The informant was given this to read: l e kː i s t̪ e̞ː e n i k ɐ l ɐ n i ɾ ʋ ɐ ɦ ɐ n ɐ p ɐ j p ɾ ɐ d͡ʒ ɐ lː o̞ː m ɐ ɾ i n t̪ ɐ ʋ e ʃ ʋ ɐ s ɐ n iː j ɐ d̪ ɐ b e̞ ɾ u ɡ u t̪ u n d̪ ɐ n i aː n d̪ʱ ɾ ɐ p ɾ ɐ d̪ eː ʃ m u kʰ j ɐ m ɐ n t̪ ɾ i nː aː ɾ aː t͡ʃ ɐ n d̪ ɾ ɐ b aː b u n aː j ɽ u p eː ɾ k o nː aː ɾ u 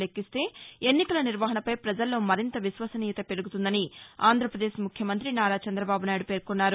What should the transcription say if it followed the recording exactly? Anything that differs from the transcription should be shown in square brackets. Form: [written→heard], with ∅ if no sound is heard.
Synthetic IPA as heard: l e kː i s t̪ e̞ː e [n→nː] i k ɐ l ɐ n i ɾ ʋ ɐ ɦ ɐ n ɐ p ɐ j p ɾ ɐ d͡ʒ ɐ lː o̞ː m ɐ ɾ i n t̪ ɐ ʋ [e→i] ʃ ʋ ɐ s ɐ n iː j ɐ [d̪→t̪] ɐ [b→p] e̞ ɾ u ɡ u t̪ u n d̪ ɐ n i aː n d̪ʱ ɾ ɐ p ɾ ɐ d̪ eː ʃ m u kʰ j ɐ m ɐ n t̪ ɾ i [nː→n] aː ɾ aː t͡ʃ ɐ n d̪ ɾ ɐ b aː b u n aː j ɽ u p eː ɾ k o nː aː ɾ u